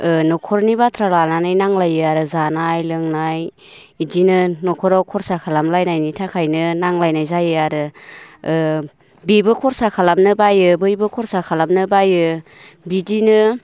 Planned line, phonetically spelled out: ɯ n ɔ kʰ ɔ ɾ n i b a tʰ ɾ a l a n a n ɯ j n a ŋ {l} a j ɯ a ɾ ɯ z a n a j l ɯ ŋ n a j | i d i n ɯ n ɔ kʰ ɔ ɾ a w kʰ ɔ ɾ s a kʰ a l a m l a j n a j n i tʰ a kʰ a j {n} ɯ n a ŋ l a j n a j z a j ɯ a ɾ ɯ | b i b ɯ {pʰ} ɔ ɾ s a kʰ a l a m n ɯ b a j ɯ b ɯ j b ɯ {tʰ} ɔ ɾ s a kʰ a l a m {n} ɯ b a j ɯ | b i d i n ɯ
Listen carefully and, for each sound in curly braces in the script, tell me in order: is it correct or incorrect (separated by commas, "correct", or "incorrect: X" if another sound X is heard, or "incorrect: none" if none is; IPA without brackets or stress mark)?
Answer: correct, correct, incorrect: kʰ, incorrect: kʰ, correct